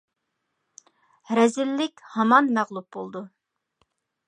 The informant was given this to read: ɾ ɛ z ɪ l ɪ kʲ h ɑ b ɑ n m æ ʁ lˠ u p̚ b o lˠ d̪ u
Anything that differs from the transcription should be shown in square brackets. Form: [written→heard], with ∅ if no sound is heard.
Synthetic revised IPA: ɾ ɛ z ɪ [l→lː] ɪ kʲ h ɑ [b→m] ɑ n m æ ʁ lˠ u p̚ b o lˠ d̪ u